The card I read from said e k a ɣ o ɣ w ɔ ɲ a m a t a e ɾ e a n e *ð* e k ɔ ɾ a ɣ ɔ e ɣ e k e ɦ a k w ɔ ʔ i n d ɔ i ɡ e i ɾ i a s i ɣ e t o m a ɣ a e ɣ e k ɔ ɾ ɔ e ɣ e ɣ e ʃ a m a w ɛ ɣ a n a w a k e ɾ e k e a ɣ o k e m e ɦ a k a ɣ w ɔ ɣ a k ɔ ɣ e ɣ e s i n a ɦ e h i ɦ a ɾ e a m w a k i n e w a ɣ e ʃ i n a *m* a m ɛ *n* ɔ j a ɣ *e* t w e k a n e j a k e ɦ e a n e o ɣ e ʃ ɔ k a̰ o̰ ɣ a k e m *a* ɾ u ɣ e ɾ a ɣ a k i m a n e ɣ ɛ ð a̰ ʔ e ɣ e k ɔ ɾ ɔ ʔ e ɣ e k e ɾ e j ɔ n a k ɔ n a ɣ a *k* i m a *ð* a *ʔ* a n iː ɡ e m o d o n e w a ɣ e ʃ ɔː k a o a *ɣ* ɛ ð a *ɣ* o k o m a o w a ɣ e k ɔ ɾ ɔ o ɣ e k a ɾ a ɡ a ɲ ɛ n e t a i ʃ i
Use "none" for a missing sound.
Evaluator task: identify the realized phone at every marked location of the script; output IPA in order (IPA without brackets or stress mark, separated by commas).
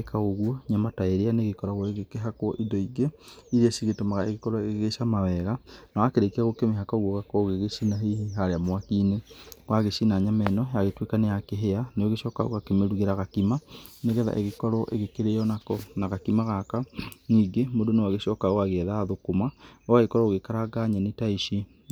ɣ, ɲ, n, e, e, k, ɣ, k, ɣ, ð